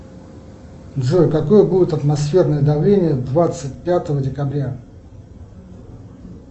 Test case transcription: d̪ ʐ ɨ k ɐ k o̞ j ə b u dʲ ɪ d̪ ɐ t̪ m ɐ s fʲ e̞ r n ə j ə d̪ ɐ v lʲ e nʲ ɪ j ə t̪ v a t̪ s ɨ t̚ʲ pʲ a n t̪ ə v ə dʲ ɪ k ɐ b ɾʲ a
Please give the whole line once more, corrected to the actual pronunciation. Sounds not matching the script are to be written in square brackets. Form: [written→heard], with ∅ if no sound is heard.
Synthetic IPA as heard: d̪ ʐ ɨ k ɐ k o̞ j ə b u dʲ ɪ [d̪→t̪] ɐ t̪ m ɐ s fʲ e̞ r n ə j ə d̪ ɐ v lʲ e nʲ ɪ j ə [t̪→d̪] v a t̪ s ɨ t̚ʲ pʲ a [n→∅] t̪ ə v ə dʲ ɪ k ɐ b ɾʲ a